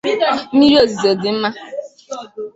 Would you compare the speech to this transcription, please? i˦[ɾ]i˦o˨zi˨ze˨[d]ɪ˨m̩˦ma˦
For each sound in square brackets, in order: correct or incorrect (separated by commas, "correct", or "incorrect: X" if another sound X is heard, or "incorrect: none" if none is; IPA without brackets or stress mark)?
correct, correct